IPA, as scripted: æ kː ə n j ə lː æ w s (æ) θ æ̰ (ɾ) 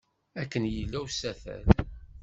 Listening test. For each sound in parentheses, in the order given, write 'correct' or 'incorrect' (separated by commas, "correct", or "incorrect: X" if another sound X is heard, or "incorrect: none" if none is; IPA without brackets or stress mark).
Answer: correct, incorrect: l